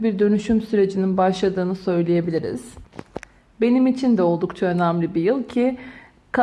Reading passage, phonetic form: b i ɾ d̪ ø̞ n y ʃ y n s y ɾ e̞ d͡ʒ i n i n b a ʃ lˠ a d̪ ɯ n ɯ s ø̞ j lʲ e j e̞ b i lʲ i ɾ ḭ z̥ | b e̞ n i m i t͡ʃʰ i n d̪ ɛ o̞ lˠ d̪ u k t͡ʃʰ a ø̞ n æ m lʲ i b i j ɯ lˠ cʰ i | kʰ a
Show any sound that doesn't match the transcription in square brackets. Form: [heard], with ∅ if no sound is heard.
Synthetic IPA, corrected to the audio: b i ɾ d̪ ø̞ n y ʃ y [m] s y ɾ e̞ d͡ʒ i n i n b a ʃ lˠ a d̪ [ɯː] n ɯ s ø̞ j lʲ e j e̞ b i lʲ i ɾ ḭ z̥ | b e̞ n i m i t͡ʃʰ i n d̪ ɛ o̞ lˠ d̪ u k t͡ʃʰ a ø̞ n æ m lʲ i b i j ɯ lˠ cʰ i | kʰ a